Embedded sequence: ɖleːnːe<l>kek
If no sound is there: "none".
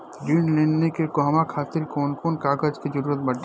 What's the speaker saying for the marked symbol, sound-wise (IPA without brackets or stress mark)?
none